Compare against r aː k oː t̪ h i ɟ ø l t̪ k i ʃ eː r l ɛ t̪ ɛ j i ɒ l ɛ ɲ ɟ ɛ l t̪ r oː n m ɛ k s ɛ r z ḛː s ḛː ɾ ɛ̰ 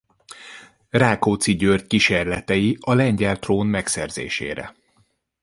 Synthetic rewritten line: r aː k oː t̪ s i ɟ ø r t̪ k i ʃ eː r l ɛ t̪ ɛ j i ɒ l ɛ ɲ ɟ ɛ l t̪ r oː n m ɛ k s ɛ r z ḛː ʃ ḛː ɾ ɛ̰